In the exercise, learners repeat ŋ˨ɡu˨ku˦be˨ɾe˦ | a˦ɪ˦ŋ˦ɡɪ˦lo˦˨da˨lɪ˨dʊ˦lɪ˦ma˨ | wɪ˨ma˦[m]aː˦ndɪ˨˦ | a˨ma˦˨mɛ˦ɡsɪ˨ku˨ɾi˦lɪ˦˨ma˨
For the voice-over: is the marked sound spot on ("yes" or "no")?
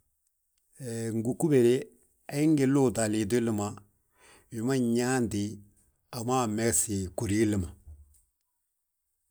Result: no